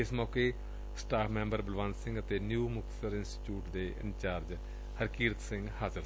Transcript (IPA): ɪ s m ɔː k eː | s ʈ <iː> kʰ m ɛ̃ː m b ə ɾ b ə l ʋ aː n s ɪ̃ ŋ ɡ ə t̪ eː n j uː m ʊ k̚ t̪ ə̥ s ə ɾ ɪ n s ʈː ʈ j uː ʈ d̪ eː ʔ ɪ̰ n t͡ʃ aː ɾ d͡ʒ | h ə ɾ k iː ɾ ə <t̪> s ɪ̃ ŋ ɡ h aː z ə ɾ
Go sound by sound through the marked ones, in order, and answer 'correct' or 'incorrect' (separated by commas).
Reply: incorrect, correct